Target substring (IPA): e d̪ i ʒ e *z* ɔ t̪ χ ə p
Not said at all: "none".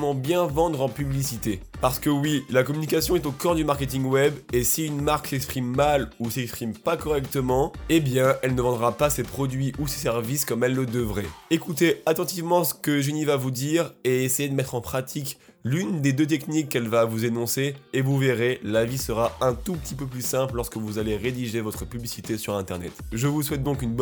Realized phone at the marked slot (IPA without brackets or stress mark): v